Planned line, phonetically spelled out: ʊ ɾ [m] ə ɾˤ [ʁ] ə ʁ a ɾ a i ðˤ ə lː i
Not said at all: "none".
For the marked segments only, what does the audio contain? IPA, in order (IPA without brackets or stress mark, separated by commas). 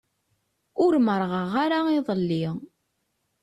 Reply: m, ʁ